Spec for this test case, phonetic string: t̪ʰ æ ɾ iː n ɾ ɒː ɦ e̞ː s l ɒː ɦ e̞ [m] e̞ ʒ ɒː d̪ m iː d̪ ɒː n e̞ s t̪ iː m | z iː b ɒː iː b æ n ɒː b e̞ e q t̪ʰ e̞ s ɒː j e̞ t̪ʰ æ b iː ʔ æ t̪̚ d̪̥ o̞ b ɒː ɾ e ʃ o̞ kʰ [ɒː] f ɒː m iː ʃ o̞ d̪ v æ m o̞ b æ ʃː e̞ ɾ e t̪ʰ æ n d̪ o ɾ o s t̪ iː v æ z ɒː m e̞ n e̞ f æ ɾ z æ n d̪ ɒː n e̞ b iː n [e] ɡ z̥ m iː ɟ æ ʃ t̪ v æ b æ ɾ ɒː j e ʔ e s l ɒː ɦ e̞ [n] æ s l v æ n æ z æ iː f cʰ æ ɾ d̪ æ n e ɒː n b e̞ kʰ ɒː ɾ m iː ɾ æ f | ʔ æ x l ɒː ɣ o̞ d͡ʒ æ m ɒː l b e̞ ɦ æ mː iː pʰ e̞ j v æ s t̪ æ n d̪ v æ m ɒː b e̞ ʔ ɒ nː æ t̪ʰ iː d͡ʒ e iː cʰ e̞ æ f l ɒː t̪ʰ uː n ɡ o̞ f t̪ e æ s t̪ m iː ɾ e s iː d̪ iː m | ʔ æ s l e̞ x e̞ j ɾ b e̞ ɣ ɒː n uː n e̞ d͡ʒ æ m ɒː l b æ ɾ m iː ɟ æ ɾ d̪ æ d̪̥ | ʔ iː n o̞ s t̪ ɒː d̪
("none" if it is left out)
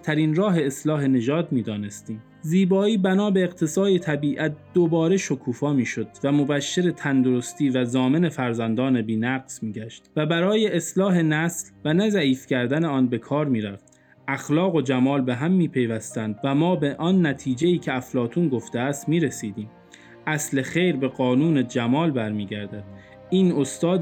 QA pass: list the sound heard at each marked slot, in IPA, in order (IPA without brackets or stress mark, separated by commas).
n, uː, æ, n